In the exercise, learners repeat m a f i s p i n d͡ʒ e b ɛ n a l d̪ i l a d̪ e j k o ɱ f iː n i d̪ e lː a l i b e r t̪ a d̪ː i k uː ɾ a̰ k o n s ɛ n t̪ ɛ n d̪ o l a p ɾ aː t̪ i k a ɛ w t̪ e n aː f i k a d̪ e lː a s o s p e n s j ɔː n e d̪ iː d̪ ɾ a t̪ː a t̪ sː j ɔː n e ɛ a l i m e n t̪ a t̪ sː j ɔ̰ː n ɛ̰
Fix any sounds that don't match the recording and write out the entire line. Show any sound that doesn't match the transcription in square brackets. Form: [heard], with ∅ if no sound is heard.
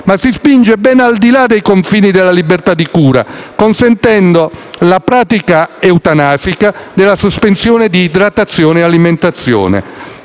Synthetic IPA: m a [s] i s p i n d͡ʒ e b ɛ n a l d̪ i l a d̪ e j k o ɱ f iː n i d̪ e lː a l i b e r t̪ a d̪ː i k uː ɾ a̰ k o n s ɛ n t̪ ɛ n d̪ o l a p ɾ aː t̪ i k a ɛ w t̪ [a] n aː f i k a d̪ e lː a s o s p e n s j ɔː n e d̪ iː d̪ ɾ a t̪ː a t̪ sː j ɔː n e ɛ a l i m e n t̪ a t̪ sː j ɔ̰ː n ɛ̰